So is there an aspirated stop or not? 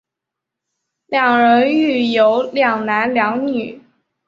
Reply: no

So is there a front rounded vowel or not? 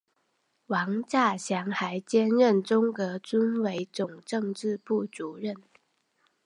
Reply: no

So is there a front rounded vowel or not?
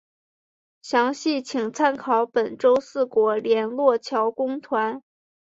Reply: no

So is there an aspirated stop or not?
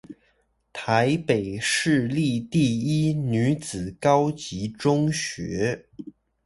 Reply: yes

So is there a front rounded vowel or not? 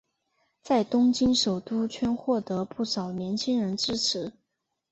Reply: no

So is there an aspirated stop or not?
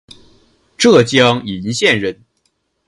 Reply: no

